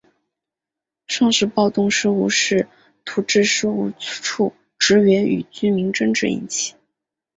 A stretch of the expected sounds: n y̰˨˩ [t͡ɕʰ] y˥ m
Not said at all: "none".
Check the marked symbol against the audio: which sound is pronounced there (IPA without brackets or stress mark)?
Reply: t͡ɕ